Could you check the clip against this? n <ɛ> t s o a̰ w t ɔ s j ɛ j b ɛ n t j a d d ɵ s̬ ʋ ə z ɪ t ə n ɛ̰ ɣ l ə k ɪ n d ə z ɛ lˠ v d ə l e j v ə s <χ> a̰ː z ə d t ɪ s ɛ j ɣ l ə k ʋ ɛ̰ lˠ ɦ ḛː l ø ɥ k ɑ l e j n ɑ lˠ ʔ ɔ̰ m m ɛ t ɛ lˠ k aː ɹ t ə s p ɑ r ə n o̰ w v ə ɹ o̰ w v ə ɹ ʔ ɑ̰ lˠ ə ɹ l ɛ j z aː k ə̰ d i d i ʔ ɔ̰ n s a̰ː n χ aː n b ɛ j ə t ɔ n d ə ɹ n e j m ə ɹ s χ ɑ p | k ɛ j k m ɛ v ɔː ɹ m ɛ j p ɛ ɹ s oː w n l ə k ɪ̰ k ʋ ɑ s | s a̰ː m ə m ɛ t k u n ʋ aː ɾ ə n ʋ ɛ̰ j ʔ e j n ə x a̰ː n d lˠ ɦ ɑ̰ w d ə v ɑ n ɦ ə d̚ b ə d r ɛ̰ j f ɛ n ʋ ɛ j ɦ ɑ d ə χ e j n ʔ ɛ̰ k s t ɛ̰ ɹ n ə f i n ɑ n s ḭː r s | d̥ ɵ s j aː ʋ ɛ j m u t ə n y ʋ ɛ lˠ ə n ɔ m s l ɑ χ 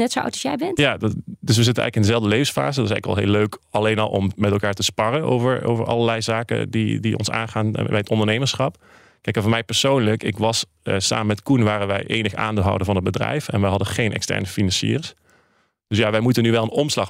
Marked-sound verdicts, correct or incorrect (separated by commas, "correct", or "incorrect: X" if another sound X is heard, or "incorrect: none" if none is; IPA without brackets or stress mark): correct, incorrect: f